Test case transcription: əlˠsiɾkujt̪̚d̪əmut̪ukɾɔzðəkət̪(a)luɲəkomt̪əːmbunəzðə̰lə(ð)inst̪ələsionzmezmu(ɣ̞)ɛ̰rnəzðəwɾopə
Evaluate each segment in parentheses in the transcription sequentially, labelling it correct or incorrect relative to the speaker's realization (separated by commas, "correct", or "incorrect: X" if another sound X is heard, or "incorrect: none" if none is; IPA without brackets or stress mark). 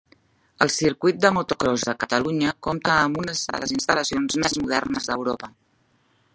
incorrect: ə, incorrect: z, incorrect: ð̞